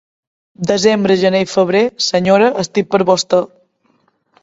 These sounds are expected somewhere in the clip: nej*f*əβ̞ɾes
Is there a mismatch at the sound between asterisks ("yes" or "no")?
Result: no